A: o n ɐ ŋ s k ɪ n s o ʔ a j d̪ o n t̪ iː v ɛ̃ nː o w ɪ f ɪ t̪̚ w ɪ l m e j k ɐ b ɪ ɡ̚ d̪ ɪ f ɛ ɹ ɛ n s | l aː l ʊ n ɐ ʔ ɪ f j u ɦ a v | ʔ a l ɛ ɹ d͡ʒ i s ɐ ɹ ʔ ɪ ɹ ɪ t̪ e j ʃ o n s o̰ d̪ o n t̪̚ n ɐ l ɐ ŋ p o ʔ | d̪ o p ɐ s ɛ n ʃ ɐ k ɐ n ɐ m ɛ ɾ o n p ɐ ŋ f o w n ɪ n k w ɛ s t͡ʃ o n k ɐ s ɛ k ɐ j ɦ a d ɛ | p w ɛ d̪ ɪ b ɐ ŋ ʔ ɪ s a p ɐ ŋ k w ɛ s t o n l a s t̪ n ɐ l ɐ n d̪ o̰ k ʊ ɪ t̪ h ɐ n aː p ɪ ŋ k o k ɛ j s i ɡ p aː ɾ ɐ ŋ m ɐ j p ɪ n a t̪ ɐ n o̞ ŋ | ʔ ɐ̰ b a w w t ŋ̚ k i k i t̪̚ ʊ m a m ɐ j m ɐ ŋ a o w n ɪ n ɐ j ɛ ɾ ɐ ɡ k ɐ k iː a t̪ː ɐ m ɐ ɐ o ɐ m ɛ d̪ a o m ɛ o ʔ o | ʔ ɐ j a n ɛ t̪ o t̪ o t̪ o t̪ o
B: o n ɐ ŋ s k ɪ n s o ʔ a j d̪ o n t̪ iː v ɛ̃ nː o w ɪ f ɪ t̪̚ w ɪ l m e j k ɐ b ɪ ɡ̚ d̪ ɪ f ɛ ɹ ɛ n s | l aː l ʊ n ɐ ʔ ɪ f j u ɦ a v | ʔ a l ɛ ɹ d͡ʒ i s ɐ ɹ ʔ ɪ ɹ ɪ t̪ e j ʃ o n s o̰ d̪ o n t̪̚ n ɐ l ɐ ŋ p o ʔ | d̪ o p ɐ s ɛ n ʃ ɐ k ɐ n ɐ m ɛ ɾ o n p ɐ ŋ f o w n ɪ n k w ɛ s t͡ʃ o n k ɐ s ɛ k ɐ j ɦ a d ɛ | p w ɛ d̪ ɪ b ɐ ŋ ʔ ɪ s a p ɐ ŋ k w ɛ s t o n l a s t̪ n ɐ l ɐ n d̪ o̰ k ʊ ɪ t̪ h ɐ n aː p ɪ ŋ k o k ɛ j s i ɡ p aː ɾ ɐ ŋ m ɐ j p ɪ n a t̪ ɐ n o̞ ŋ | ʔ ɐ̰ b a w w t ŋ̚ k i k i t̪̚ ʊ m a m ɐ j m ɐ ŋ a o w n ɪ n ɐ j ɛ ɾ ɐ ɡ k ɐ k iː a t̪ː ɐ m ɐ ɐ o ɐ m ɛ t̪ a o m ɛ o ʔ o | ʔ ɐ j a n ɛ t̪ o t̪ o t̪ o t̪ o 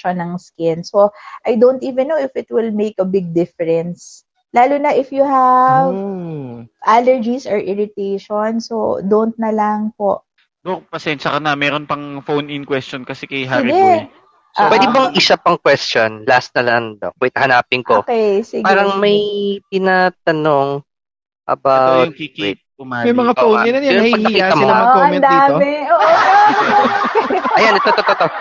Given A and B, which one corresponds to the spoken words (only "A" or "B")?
A